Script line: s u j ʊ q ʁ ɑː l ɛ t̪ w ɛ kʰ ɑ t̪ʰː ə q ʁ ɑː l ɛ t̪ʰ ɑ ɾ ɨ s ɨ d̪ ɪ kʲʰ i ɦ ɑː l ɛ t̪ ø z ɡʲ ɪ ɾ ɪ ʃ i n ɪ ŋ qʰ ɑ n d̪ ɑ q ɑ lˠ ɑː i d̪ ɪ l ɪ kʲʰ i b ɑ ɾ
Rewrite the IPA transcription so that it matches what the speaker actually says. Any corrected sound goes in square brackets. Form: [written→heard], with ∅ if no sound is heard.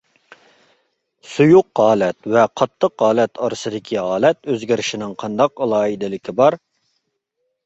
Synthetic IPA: s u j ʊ q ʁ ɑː l ɛ t̪ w ɛ [kʰ→qʰ] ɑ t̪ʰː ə q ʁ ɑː l ɛ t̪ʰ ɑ ɾ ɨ s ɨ d̪ ɪ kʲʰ i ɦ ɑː l ɛ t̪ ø z ɡʲ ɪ ɾ ɪ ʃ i n ɪ ŋ qʰ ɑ n d̪ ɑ q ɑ lˠ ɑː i d̪ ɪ l ɪ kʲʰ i b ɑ ɾ